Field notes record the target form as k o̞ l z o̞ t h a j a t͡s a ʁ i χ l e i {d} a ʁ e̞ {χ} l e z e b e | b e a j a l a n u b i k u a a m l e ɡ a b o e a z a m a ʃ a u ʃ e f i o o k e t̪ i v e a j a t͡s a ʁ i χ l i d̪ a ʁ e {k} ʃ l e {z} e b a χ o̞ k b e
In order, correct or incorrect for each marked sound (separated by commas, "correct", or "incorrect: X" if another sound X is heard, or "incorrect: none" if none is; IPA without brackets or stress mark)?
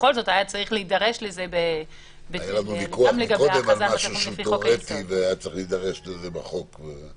correct, incorrect: ʃ, incorrect: none, correct